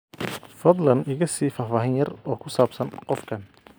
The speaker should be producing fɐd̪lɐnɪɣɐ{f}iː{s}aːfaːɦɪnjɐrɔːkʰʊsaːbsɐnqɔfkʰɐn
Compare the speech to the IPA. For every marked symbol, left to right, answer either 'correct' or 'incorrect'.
incorrect: s, incorrect: f

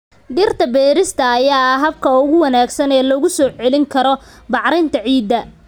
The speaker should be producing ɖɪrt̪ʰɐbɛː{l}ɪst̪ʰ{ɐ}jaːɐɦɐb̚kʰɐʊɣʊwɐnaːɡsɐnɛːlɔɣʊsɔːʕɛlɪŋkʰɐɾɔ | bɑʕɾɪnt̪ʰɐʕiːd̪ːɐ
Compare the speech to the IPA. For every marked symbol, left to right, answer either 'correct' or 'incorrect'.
incorrect: ɾ, incorrect: ɐː

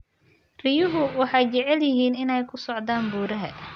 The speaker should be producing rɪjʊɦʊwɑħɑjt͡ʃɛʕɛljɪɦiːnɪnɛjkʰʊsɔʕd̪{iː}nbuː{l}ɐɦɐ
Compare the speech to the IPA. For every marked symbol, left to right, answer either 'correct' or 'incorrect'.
incorrect: aː, incorrect: ɾ

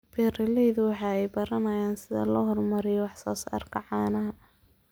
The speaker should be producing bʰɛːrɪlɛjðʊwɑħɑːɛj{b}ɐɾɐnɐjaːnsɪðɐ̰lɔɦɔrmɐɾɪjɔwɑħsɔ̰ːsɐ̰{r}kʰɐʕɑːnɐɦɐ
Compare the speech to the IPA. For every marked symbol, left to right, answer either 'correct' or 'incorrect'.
correct, correct

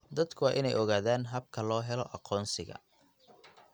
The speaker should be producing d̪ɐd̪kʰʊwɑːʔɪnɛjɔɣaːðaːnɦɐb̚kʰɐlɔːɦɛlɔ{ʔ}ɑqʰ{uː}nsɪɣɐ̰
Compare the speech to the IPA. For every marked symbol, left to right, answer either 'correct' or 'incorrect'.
correct, incorrect: ɔː

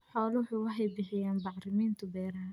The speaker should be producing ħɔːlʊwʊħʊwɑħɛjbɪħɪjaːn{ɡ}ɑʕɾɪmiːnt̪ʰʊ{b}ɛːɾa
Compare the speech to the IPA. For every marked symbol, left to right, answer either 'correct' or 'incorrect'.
incorrect: b, correct

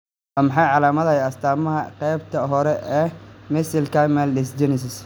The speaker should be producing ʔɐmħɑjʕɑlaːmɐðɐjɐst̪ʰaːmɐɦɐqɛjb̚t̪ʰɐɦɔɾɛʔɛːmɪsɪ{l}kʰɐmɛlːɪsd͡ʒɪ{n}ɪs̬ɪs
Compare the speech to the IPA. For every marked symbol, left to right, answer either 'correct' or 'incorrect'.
correct, correct

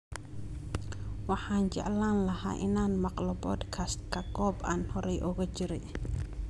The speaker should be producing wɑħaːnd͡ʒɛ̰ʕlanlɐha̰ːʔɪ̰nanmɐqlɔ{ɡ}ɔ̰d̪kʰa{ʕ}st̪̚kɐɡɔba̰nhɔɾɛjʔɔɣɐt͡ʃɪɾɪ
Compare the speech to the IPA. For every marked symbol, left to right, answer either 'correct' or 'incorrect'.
incorrect: b, incorrect: none

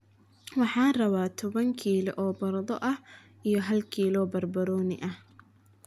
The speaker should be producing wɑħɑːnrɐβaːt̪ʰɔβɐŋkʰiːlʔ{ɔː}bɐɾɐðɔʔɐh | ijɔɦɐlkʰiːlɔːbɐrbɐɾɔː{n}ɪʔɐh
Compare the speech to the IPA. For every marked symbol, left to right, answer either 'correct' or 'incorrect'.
correct, correct

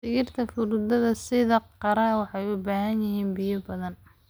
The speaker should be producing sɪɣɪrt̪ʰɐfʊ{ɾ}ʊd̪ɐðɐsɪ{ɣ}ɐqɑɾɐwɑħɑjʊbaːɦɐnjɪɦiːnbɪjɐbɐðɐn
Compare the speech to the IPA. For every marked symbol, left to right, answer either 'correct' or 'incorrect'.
correct, incorrect: ð

